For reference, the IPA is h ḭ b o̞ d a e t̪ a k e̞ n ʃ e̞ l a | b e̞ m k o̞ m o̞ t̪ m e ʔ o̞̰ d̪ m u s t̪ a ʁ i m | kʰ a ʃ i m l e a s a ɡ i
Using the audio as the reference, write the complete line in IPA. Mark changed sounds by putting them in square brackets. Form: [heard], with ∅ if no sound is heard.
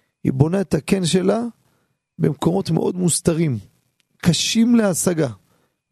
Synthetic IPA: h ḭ b o̞ [n] a e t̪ a k e̞ n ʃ e̞ l a | b e̞ m k o̞ m o̞ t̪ m e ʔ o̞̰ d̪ m u s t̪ a ʁ i m | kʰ a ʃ i m l e a s a ɡ [a]